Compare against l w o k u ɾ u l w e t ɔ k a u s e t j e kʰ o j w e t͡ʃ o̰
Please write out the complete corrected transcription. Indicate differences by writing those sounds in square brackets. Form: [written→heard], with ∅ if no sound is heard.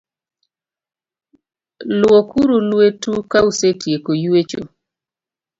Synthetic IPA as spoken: l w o k u ɾ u l w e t [ɔ→u] k a u s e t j e [kʰ→k] o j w e t͡ʃ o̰